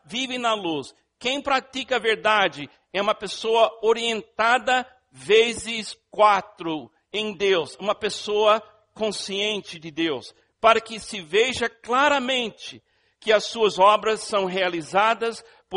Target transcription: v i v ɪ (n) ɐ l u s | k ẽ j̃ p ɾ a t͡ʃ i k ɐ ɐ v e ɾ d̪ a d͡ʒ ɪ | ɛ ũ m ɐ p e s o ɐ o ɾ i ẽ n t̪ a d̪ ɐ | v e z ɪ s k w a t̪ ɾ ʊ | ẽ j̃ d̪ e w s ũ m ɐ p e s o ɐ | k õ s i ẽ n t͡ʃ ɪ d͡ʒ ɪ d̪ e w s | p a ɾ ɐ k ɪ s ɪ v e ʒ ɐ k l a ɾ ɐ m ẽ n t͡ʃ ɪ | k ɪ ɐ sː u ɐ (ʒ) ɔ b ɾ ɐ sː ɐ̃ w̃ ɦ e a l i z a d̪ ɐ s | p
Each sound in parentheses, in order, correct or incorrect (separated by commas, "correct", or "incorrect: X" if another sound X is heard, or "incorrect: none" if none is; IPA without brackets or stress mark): correct, incorrect: z